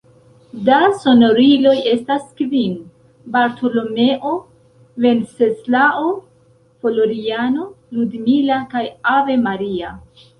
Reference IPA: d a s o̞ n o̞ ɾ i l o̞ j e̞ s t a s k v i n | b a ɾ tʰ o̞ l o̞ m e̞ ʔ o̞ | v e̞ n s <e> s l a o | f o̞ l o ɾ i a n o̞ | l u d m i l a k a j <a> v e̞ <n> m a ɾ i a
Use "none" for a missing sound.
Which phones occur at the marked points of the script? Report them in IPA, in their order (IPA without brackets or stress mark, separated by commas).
e, a, none